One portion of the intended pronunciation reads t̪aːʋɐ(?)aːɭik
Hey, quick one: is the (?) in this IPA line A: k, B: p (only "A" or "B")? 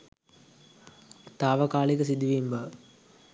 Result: A